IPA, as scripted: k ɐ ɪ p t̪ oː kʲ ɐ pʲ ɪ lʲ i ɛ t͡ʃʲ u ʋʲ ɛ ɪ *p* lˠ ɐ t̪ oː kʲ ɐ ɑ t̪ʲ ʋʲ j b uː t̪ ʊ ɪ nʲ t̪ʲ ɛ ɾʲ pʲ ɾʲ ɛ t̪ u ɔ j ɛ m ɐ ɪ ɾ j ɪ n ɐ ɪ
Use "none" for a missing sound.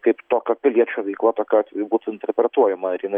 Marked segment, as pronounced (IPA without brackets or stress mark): k